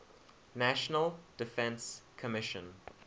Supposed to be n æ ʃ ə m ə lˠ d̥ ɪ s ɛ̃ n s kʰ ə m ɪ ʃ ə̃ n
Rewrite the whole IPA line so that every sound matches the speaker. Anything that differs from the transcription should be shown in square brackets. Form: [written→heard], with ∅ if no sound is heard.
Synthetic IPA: n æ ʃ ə [m→n] ə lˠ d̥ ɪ [s→f] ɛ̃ n s kʰ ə m ɪ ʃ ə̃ n